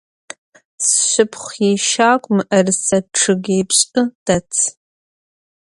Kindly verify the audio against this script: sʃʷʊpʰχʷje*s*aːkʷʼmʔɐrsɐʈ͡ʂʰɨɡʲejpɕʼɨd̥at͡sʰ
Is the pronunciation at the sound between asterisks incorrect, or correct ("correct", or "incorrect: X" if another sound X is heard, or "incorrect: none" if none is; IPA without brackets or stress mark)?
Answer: incorrect: ʃ